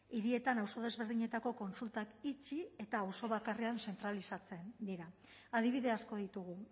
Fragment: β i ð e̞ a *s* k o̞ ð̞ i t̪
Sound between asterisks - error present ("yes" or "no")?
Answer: no